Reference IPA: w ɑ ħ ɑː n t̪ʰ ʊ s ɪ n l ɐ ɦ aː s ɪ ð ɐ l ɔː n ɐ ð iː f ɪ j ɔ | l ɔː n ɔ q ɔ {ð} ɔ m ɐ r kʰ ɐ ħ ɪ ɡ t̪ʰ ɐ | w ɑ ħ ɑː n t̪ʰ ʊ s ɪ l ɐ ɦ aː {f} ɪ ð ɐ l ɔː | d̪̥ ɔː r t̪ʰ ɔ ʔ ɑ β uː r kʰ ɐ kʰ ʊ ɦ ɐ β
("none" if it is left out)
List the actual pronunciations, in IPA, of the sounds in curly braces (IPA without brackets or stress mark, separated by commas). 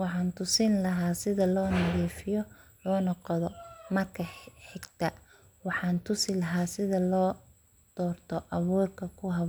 ð, s